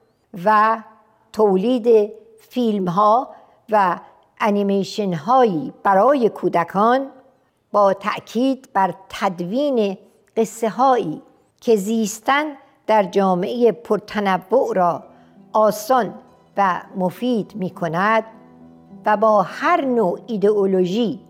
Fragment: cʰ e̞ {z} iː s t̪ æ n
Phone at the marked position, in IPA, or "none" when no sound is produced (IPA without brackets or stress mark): z